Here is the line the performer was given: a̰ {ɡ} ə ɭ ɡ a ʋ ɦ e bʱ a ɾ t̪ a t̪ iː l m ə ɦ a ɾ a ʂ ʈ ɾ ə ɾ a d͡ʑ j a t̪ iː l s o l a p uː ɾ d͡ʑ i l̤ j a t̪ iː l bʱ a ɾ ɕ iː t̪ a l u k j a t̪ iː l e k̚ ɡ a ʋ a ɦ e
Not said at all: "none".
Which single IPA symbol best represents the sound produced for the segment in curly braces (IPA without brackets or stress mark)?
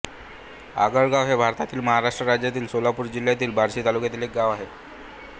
ɡ